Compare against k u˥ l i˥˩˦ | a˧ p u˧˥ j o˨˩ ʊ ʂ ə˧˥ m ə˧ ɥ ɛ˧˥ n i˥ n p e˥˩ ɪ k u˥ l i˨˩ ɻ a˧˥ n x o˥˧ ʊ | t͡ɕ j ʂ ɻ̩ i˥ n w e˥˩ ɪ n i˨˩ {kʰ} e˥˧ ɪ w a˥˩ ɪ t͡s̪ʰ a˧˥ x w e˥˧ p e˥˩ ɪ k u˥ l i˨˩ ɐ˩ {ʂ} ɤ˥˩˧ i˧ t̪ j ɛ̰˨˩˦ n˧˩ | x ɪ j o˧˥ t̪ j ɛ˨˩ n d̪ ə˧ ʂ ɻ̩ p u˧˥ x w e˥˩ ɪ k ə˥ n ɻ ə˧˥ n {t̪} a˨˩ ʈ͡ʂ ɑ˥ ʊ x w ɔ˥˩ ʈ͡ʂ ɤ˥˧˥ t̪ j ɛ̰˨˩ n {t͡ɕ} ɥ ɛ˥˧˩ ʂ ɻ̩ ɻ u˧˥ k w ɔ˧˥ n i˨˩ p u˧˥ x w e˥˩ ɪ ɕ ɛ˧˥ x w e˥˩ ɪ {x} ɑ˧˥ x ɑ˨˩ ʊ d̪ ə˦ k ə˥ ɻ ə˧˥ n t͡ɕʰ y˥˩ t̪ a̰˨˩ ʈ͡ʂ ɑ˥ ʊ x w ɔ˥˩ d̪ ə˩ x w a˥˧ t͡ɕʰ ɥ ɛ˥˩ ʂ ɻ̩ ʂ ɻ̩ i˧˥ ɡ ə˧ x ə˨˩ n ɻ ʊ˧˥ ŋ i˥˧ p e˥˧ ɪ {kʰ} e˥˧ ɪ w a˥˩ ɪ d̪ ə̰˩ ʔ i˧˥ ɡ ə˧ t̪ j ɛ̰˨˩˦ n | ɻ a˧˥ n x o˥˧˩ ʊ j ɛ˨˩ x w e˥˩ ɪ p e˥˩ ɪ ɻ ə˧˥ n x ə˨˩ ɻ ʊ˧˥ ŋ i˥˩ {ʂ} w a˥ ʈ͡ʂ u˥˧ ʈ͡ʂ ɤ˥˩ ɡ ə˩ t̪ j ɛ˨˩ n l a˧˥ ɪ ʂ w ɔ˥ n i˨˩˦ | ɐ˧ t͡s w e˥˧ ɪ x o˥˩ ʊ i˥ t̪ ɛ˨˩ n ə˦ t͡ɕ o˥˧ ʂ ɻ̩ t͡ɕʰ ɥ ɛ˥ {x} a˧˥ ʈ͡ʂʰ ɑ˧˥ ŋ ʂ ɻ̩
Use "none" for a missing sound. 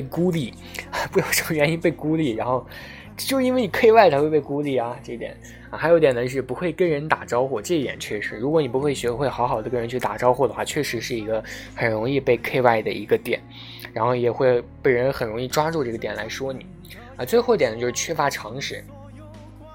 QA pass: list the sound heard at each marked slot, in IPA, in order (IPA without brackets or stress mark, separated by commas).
kʰ, ʈ͡ʂ, t̪, t͡ɕʰ, x, kʰ, ʈ͡ʂ, f